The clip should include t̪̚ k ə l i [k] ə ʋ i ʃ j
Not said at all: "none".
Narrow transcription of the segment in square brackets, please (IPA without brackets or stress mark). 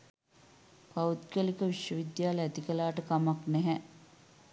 k